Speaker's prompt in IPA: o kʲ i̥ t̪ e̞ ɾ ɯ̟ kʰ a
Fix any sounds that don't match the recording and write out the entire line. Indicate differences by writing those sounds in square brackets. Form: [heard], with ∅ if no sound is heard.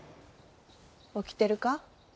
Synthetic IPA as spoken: o kʲ i̥ t̪ e̞ ɾ ɯ̟ [k] a